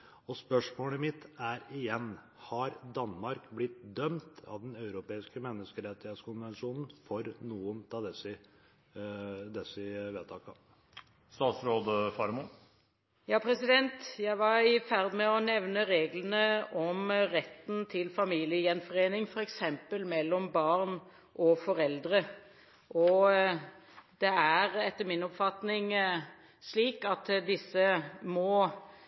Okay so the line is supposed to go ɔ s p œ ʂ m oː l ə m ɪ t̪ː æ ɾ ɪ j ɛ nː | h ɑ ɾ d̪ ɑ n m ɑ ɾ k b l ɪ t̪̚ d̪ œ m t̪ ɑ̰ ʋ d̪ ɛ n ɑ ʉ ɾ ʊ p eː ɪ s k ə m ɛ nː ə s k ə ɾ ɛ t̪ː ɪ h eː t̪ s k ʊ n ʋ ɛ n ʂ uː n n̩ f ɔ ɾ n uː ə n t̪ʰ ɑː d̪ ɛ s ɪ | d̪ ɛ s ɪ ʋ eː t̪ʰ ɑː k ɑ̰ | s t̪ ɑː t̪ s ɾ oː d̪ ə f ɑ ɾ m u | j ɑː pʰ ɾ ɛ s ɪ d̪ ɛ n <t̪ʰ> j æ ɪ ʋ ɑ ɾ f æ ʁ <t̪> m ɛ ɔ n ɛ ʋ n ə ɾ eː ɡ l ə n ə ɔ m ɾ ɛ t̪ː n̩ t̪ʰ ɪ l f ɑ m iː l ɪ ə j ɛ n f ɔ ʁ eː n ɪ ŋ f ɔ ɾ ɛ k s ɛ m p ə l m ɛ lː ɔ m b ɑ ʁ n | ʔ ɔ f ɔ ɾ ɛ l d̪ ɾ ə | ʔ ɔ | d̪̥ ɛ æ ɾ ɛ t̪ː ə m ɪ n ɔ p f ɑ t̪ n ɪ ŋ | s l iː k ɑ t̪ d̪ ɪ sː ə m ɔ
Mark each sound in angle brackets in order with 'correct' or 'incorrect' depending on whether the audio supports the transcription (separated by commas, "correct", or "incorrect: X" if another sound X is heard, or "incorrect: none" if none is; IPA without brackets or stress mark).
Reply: incorrect: t̪, incorrect: d̪